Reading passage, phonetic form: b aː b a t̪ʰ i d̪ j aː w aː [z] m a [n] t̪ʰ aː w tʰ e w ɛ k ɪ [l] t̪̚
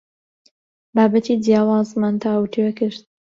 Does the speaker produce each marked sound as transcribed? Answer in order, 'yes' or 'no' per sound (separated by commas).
yes, yes, no